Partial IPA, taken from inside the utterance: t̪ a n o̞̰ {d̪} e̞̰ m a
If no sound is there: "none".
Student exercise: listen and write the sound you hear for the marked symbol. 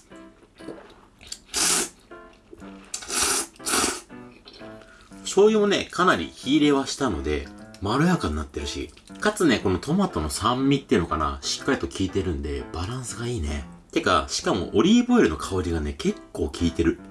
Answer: d̪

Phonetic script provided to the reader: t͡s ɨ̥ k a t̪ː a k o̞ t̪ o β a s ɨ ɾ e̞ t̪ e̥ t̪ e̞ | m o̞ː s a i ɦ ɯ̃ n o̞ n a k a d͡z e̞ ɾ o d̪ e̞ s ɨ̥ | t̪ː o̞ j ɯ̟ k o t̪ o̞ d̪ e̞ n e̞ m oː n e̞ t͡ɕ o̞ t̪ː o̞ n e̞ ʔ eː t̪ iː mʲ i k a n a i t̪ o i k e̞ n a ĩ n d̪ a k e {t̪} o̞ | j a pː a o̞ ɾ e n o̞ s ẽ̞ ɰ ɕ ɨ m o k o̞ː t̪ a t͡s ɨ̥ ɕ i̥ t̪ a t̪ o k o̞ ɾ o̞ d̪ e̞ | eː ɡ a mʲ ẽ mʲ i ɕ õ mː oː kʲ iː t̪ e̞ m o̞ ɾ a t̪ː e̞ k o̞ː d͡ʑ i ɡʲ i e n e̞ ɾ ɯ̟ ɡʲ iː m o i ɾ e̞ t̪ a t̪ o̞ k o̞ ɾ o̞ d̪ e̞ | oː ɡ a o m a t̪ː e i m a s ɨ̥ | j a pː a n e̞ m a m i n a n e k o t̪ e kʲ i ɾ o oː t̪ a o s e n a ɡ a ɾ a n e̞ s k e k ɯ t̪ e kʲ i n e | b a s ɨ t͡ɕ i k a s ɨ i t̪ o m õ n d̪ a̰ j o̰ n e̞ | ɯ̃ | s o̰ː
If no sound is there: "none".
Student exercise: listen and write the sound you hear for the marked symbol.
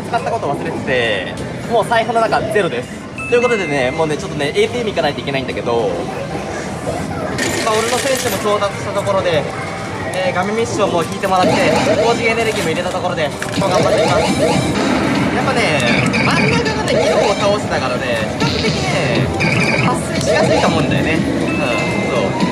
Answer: d̪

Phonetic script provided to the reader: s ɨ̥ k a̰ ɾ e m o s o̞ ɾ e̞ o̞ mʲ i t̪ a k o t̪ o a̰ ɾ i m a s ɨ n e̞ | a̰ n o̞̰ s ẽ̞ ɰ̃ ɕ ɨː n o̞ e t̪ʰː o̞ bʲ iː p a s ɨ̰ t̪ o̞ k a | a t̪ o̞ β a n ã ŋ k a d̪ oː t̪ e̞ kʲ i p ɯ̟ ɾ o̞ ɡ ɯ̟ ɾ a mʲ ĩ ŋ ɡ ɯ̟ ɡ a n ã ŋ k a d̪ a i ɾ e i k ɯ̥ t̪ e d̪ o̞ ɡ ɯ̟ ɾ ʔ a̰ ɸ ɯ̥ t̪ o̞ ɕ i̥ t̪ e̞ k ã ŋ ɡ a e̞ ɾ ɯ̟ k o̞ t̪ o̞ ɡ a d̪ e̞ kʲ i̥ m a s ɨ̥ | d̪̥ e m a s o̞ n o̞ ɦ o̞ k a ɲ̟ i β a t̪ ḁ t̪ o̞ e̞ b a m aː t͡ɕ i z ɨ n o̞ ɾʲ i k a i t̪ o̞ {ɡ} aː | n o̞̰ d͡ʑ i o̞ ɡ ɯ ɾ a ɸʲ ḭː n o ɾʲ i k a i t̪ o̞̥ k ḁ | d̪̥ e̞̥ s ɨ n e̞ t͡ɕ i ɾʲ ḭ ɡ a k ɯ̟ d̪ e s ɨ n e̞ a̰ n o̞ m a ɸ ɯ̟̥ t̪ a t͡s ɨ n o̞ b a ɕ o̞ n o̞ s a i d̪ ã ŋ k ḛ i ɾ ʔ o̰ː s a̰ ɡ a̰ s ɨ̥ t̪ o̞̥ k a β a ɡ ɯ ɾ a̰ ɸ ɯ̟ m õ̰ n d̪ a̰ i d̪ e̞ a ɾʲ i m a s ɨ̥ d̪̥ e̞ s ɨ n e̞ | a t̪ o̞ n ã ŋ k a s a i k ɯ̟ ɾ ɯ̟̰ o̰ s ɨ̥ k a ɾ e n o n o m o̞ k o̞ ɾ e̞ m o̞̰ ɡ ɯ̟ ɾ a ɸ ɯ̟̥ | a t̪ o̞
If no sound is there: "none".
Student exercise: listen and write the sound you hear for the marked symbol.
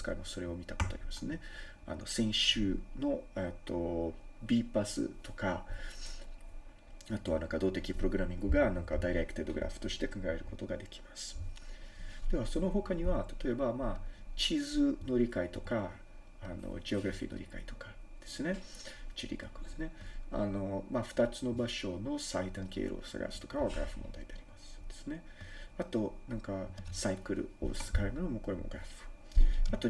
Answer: k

